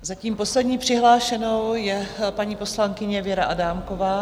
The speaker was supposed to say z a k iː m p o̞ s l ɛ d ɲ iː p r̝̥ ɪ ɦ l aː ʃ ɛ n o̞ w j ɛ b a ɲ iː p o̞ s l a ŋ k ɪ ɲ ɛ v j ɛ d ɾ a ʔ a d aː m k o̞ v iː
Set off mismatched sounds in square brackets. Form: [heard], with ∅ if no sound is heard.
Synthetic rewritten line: z a [c] iː m p o̞ s l ɛ d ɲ iː p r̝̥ ɪ ɦ l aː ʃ ɛ n o̞ w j ɛ [p] a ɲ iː p o̞ s l a ŋ k ɪ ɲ ɛ v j ɛ [∅] ɾ a ʔ a d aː m k o̞ v [aː]

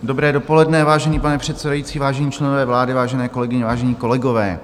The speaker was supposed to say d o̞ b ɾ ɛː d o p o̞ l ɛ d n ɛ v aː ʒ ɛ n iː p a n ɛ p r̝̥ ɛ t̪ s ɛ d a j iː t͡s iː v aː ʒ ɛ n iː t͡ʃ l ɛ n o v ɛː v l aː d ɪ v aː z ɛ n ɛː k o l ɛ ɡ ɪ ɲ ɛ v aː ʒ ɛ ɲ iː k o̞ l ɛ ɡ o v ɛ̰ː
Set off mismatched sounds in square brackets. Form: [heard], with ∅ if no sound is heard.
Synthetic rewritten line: d o̞ b ɾ ɛː d o p o̞ l ɛ d n ɛ v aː ʒ ɛ n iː p a n ɛ p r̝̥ ɛ t̪ s ɛ d a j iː t͡s iː v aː ʒ ɛ [ɲ] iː t͡ʃ l ɛ n o v ɛː v l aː d ɪ v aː [ʒ] ɛ n ɛː k o l ɛ ɡ ɪ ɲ ɛ v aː ʒ ɛ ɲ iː k o̞ l ɛ ɡ o v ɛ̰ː

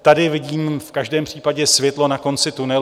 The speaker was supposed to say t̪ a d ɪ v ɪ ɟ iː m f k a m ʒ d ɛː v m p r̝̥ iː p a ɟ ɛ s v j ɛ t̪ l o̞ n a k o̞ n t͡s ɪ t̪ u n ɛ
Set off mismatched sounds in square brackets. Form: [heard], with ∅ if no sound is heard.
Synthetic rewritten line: t̪ a d ɪ v ɪ ɟ iː m f k a [∅] ʒ d ɛː [∅] m p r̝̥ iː p a ɟ ɛ s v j ɛ t̪ l o̞ n a k o̞ n t͡s ɪ t̪ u n ɛ

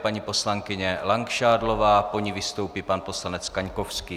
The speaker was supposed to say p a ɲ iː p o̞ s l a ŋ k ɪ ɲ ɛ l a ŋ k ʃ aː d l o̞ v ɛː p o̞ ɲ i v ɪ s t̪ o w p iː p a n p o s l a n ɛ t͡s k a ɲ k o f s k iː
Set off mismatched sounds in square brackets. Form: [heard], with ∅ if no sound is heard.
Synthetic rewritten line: p a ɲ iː p o̞ s l a ŋ k ɪ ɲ ɛ l a ŋ k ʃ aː d l o̞ v [aː] p o̞ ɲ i v ɪ s t̪ o w p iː p a n p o s l a n ɛ t͡s k a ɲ k o f s k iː

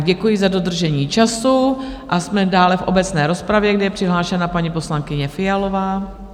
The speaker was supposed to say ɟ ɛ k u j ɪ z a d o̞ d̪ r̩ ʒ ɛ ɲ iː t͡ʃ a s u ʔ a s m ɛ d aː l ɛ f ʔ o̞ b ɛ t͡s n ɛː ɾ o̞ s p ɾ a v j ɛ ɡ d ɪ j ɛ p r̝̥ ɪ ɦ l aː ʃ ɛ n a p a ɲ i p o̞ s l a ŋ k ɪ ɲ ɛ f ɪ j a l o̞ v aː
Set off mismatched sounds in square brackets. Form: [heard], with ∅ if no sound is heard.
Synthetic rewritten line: ɟ ɛ k u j ɪ z a d o̞ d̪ r̩ ʒ ɛ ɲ iː t͡ʃ a s u ʔ a s m ɛ d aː l ɛ f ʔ o̞ b ɛ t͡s n ɛː ɾ o̞ s p ɾ a v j ɛ ɡ d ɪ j ɛ p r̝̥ ɪ ɦ l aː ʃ ɛ n a p a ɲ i p o̞ s l a ŋ k ɪ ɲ ɛ f ɪ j a l o̞ v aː

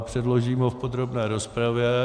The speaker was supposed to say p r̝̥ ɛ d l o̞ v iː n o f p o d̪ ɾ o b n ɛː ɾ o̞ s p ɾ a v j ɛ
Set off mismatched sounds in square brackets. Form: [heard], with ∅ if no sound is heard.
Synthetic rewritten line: p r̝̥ ɛ d l o̞ [ʒ] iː [m] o f p o d̪ ɾ o b n ɛː ɾ o̞ s p ɾ a v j ɛ

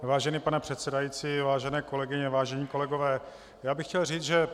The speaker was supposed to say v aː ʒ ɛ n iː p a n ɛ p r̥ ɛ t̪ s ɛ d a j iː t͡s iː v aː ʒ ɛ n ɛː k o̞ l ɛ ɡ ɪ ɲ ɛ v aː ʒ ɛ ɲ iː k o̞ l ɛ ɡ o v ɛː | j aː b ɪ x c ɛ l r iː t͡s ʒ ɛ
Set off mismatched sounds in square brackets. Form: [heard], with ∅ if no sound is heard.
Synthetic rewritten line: v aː ʒ ɛ n iː p a n ɛ p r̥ ɛ t̪ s ɛ d a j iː t͡s iː v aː ʒ ɛ n ɛː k o̞ l ɛ ɡ ɪ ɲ ɛ v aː ʒ ɛ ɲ iː k o̞ l ɛ ɡ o v ɛː | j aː b ɪ x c ɛ l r iː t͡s ʒ ɛ

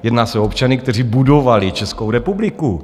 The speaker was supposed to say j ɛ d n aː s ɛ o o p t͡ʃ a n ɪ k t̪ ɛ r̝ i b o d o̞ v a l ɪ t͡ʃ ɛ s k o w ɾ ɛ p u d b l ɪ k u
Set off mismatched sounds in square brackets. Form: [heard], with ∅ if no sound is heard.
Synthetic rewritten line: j ɛ d n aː s ɛ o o p t͡ʃ a n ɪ k t̪ ɛ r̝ i b [u] d o̞ v a l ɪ t͡ʃ ɛ s k o w ɾ ɛ p u [∅] b l ɪ k u

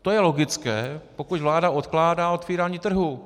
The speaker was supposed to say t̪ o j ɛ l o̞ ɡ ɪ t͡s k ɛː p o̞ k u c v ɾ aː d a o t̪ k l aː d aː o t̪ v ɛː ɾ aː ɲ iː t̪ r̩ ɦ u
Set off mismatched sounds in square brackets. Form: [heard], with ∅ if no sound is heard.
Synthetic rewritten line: t̪ o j ɛ l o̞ ɡ ɪ t͡s k ɛː p o̞ k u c v [l] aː d a o t̪ k l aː d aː o t̪ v [iː] ɾ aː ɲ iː t̪ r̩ ɦ u

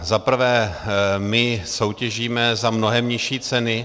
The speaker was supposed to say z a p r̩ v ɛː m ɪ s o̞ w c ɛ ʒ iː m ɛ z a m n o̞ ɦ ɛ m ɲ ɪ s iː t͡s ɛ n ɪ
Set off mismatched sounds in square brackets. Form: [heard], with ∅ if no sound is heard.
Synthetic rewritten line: z a p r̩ v ɛː m ɪ s o̞ w c ɛ ʒ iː m ɛ z a m n o̞ ɦ ɛ m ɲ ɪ [ʃ] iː t͡s ɛ n ɪ

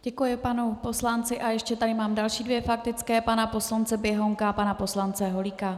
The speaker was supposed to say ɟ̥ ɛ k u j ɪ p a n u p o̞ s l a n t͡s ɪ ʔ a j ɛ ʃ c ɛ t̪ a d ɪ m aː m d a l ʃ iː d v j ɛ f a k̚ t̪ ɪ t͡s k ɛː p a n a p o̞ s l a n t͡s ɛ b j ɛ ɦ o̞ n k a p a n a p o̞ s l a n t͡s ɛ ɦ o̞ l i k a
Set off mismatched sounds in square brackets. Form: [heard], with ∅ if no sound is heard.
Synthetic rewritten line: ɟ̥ ɛ k u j ɪ p a n u p o̞ s l a n t͡s ɪ ʔ a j ɛ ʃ c ɛ t̪ a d ɪ m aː m d a l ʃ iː d v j ɛ f a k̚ t̪ ɪ t͡s k ɛː p a n a p o̞ s l a n t͡s ɛ b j ɛ ɦ o̞ [ŋ] k a p a n a p o̞ s l a n t͡s ɛ ɦ o̞ l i k a

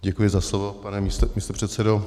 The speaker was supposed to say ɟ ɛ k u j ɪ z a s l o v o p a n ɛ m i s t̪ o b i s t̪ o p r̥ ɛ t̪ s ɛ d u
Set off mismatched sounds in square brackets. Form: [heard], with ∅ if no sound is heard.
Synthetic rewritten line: ɟ ɛ k u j ɪ z a s l o v o p a n ɛ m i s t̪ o [m] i s t̪ o p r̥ ɛ t̪ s ɛ d [o]

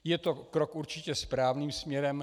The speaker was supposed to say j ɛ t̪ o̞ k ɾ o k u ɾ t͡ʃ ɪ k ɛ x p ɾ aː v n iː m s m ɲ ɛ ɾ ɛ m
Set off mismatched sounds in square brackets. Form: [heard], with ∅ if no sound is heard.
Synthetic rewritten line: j ɛ t̪ o̞ k ɾ o k u ɾ t͡ʃ ɪ [c] ɛ [s] p ɾ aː v n iː m s m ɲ ɛ ɾ ɛ m

